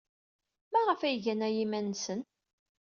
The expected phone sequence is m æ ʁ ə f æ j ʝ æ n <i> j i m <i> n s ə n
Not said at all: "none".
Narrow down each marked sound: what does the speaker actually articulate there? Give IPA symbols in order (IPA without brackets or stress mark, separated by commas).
æ, æ